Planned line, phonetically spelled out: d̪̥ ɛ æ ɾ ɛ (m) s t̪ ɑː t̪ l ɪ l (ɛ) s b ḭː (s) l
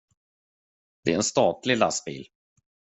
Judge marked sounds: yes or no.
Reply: no, no, no

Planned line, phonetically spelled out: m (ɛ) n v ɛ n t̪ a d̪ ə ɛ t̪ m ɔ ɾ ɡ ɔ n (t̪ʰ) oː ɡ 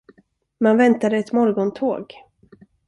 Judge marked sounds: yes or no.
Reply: no, yes

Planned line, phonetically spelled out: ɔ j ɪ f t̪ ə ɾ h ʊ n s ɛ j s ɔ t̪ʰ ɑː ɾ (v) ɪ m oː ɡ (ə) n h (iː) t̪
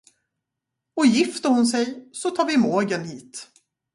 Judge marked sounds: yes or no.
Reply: yes, yes, yes

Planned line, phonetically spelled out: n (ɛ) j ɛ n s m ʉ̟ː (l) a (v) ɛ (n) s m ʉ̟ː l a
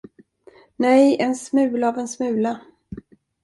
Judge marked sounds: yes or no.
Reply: yes, yes, yes, yes

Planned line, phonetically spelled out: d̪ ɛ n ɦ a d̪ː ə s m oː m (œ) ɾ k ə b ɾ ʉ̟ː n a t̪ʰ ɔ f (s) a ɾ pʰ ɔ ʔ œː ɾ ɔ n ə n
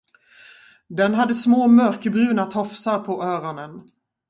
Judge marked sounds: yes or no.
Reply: yes, yes

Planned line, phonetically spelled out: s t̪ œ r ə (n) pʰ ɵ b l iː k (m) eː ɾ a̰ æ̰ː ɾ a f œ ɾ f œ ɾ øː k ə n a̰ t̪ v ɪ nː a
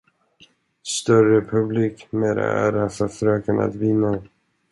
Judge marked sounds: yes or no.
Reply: no, yes

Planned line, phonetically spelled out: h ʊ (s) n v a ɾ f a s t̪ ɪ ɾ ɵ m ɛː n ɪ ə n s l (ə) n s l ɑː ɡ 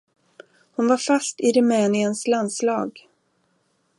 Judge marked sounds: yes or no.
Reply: no, no

